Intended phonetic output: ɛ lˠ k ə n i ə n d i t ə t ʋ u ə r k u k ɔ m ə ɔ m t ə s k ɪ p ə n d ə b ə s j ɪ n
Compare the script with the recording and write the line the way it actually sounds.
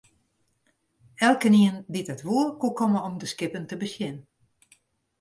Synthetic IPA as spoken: ɛ lˠ k ə n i ə n d i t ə t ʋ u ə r k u k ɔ m ə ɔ m d ə s k ɪ p ə n t ə b ə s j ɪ n